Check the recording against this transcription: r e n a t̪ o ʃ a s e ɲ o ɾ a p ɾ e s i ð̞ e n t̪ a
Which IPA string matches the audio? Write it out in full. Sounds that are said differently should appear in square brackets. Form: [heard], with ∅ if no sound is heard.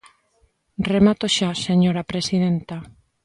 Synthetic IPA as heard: r e [m] a t̪ o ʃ a s e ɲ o ɾ a p ɾ e s i ð̞ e n t̪ a